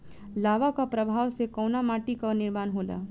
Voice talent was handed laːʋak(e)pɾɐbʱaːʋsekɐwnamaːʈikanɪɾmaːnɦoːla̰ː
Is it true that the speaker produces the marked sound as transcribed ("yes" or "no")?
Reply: no